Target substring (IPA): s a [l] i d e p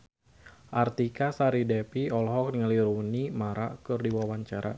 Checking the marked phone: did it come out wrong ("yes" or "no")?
yes